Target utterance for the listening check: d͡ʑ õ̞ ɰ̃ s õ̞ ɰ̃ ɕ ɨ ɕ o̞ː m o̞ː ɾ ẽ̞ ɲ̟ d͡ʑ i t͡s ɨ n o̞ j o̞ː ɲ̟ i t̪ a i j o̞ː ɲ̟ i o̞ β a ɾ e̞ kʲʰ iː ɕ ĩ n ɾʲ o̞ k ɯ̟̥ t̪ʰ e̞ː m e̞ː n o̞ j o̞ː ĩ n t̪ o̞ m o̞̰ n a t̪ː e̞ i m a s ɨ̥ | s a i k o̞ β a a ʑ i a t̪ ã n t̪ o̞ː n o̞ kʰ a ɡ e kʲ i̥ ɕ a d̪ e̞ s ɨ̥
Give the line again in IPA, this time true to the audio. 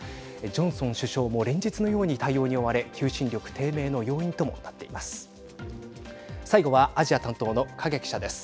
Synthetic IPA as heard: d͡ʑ õ̞ ɰ̃ s õ̞ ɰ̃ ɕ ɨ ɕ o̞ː m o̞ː ɾ ẽ̞ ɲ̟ d͡ʑ i t͡s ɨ n o̞ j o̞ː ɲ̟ i t̪ a i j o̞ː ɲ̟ i o̞ β a ɾ e̞ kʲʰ ɨː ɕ ĩ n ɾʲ o̞ k ɯ̟̥ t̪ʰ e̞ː m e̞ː n o̞ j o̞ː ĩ n t̪ o̞ m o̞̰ n a t̪ː e̞ i m a s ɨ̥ | s a i ɡ o̞ β a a ʑ i a t̪ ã n t̪ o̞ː n o̞ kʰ a ɡ e kʲ i̥ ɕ a d̪ e̞ s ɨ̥